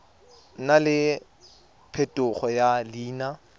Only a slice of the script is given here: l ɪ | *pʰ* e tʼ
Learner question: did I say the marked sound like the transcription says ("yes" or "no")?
yes